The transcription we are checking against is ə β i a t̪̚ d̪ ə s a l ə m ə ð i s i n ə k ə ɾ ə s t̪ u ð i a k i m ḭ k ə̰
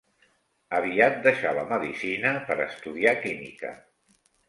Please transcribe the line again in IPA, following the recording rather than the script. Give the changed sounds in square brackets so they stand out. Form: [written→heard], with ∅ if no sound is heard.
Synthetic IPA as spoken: ə β i a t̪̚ d̪ ə [s→ʃ] a l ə m ə ð i s i n ə [k→p] ə ɾ ə s t̪ u ð i a k i m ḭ k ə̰